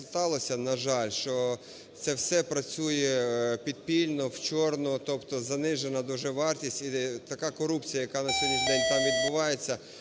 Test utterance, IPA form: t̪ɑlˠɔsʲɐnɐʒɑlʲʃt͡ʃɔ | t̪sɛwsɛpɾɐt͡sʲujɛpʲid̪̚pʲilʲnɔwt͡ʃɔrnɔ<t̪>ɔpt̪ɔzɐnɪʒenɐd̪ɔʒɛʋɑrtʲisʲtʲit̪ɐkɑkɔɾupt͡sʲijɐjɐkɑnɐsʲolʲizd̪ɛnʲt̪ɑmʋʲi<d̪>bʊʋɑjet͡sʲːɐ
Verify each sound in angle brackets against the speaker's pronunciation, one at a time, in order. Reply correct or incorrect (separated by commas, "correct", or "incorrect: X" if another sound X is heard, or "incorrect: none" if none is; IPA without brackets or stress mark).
correct, correct